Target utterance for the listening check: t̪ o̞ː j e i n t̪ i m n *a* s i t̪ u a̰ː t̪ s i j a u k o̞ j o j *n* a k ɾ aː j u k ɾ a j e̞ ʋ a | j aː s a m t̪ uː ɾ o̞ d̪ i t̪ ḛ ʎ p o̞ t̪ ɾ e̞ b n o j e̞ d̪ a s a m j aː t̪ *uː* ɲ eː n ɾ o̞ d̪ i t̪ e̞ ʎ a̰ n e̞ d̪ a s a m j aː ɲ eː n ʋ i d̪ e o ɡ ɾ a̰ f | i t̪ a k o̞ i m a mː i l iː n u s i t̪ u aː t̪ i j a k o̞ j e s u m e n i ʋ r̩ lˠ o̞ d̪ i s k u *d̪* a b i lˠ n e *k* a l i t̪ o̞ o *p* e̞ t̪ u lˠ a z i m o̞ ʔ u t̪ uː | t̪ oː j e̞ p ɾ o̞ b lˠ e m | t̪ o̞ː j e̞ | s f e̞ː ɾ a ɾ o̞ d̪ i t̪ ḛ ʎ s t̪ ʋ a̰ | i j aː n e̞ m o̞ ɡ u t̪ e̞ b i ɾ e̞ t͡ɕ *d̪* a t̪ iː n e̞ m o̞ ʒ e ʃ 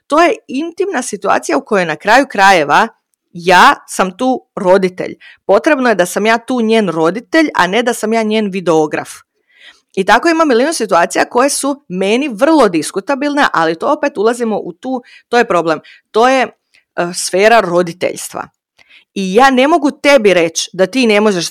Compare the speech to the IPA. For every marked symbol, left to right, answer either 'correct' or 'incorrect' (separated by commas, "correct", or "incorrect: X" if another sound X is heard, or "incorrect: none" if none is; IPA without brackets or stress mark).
correct, correct, correct, incorrect: t̪, incorrect: ʔ, correct, correct